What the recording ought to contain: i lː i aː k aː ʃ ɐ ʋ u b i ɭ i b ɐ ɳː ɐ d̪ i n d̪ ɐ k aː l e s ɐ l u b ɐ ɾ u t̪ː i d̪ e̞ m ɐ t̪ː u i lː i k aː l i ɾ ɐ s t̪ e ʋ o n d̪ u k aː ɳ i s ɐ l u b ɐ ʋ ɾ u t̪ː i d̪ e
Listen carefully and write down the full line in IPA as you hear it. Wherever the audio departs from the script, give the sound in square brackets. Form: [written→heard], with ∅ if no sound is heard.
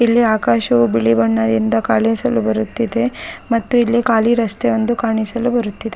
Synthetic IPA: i lː i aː k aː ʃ ɐ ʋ u b i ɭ i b ɐ ɳː ɐ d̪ i n d̪ ɐ k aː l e s ɐ l u b ɐ ɾ u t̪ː i d̪ e̞ m ɐ t̪ː u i lː i k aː l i ɾ ɐ s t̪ e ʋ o n d̪ u k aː ɳ i s ɐ l u b ɐ [ʋ→∅] ɾ u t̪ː i d̪ e